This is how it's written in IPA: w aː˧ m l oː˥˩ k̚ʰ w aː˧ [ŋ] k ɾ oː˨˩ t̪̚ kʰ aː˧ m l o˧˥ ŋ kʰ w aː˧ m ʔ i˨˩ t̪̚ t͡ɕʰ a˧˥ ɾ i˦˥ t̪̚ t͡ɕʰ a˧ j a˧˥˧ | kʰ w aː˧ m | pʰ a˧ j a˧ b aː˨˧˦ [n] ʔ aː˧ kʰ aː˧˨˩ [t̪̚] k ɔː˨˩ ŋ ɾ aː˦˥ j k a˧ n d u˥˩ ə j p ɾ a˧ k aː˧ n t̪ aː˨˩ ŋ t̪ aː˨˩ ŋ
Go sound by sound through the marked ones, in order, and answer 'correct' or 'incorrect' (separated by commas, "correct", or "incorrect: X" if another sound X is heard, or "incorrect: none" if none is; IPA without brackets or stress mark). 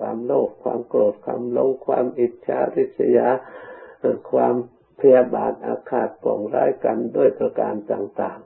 incorrect: m, correct, correct